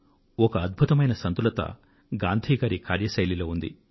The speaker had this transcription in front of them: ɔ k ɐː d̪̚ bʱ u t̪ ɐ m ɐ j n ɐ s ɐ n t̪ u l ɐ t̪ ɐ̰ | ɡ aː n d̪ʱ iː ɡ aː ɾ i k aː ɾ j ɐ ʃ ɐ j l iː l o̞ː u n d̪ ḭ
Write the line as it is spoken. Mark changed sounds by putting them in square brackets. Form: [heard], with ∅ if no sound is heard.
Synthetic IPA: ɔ k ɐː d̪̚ bʱ u t̪ ɐ m ɐ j n ɐ s ɐ n t̪ u l ɐ t̪ ɐ̰ | ɡ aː n d̪ʱ iː ɡ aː ɾ i k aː ɾ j ɐ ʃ ɐ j l [i] l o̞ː u n d̪ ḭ

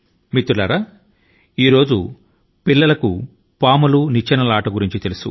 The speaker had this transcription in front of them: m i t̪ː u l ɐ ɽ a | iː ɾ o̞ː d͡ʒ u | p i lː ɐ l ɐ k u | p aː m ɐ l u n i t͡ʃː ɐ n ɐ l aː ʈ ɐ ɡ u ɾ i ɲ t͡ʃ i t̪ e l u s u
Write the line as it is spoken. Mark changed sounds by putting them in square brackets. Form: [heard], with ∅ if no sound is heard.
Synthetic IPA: m i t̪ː u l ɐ [ɾ] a | iː ɾ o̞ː d͡ʒ u | p i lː ɐ l ɐ k u | p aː m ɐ l u n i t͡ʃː ɐ n ɐ l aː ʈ ɐ ɡ u ɾ i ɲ t͡ʃ i t̪ e l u s u

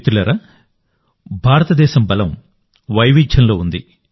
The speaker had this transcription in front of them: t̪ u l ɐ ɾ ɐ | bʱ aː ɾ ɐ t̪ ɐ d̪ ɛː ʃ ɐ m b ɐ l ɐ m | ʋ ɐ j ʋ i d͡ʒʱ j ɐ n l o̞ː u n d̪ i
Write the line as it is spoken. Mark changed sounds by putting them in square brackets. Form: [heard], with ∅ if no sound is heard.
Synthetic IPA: t̪ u l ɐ ɾ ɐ | bʱ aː ɾ ɐ t̪ ɐ d̪ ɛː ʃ ɐ m b ɐ l ɐ m | ʋ ɐ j ʋ i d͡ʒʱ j ɐ n l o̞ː u n d̪ i

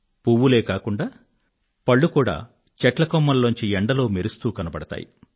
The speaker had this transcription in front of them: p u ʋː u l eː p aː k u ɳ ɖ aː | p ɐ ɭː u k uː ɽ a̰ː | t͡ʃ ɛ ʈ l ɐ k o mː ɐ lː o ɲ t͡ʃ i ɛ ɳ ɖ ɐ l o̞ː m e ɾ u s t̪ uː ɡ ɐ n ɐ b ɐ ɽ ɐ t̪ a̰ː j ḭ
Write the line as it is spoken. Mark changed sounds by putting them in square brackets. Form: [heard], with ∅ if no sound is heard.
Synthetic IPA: p u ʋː u l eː [k] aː k u ɳ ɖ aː | p ɐ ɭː u k uː ɽ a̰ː | t͡ʃ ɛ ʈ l ɐ k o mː ɐ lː o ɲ t͡ʃ i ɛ ɳ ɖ ɐ l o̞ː m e ɾ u s t̪ uː [k] ɐ n ɐ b ɐ ɽ ɐ t̪ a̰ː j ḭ

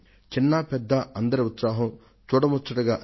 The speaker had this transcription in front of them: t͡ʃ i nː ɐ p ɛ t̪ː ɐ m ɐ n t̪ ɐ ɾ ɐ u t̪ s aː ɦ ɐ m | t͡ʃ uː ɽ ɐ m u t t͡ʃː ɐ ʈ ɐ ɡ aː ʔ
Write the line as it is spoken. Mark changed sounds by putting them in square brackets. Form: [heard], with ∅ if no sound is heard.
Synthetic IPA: t͡ʃ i nː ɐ p ɛ [d̪ː] ɐ [∅] ɐ n [d̪] ɐ ɾ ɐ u t̪ s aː ɦ ɐ m | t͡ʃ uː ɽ ɐ m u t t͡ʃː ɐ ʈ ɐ ɡ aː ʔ

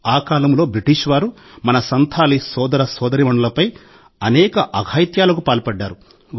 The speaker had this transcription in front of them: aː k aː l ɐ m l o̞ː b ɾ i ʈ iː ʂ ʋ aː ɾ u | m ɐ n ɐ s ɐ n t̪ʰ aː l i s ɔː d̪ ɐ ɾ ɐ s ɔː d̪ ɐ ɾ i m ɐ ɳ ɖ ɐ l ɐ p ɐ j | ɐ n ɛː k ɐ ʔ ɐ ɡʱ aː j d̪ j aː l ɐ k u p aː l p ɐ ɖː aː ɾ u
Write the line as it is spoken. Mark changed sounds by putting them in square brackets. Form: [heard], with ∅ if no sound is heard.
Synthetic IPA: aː k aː l ɐ m l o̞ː b ɾ i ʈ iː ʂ ʋ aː ɾ u | m ɐ n ɐ s ɐ n t̪ʰ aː l i s ɔː d̪ ɐ ɾ ɐ s ɔː d̪ ɐ ɾ i m ɐ ɳ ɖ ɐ l ɐ p ɐ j | ɐ n ɛː k ɐ ʔ ɐ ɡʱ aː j [t̪] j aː l ɐ k u p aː l p ɐ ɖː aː ɾ u

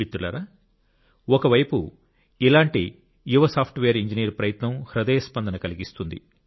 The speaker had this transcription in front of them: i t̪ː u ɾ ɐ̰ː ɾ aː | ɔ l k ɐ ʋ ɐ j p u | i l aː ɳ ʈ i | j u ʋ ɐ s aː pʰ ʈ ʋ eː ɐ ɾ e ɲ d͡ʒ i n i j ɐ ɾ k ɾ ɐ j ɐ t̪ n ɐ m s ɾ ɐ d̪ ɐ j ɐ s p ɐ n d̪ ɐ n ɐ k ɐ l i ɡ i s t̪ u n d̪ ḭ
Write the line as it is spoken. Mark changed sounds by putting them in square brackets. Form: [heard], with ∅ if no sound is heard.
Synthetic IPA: i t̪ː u [l] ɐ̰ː ɾ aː | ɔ [∅] k ɐ ʋ ɐ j p u | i l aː ɳ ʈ i | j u ʋ ɐ s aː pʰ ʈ ʋ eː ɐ ɾ [i] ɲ d͡ʒ i n i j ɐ ɾ [p] ɾ ɐ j ɐ t̪ n ɐ m [h] ɾ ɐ d̪ ɐ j ɐ s p ɐ n d̪ ɐ n ɐ k ɐ l i ɡ i s t̪ u n d̪ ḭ

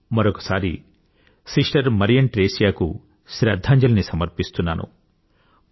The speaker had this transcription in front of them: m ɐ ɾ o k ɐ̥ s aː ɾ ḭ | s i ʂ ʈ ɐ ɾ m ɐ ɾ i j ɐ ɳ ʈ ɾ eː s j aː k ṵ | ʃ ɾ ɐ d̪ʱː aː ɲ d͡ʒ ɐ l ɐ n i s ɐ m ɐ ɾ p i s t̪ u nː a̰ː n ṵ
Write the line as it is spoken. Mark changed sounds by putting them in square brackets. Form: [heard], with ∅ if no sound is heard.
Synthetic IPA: m ɐ ɾ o k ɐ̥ s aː ɾ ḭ | s i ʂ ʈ ɐ ɾ m ɐ ɾ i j ɐ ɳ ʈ ɾ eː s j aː k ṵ | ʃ ɾ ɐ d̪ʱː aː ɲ d͡ʒ ɐ l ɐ n i s ɐ m ɐ ɾ p i s t̪ u nː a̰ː n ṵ

